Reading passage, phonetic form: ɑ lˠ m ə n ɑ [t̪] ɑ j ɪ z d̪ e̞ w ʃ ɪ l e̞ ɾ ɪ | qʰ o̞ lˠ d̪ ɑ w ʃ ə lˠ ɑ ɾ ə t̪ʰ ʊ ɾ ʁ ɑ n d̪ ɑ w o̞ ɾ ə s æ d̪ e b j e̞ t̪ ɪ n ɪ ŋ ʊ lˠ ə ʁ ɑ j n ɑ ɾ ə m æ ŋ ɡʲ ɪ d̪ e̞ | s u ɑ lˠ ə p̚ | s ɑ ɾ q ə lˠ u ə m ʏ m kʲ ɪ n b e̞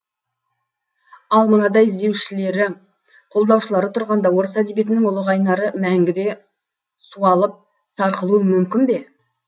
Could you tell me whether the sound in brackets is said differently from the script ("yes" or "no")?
yes